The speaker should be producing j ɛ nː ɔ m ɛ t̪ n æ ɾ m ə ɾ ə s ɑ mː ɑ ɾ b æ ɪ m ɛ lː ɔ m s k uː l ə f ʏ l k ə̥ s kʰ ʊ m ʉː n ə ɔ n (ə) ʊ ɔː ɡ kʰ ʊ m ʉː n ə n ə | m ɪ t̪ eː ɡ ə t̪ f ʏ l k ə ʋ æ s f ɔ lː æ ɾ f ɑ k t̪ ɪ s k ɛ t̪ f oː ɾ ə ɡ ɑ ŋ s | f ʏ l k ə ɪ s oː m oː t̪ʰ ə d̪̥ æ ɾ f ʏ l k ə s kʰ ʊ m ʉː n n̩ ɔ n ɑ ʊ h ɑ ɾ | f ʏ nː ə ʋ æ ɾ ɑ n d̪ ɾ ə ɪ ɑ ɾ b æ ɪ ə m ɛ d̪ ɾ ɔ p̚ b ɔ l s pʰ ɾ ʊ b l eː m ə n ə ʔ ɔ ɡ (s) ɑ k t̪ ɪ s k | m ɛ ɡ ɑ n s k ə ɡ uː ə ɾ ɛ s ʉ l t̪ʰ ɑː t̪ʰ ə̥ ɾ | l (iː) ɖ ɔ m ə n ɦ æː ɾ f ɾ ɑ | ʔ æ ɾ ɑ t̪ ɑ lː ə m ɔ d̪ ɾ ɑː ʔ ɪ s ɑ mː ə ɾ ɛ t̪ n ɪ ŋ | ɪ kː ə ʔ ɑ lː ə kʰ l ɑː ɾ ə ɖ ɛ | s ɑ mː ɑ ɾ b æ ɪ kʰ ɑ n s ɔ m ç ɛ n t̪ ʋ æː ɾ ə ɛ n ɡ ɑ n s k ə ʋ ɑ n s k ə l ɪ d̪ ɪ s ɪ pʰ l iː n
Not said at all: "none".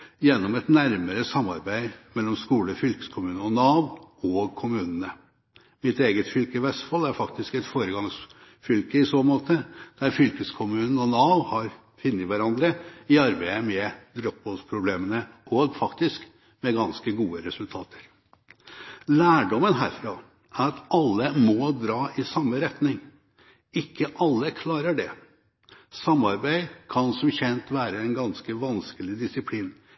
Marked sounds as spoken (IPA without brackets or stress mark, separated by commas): ɑ, f, æː